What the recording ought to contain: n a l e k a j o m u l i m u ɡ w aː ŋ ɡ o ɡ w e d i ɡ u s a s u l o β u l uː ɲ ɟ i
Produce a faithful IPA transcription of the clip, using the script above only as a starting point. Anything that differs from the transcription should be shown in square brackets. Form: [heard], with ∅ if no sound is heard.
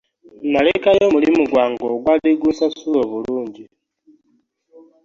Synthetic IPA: n a l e k a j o m u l i m u ɡ w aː ŋ ɡ o ɡ w [a] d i ɡ u s a s u l o β u l uː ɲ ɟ i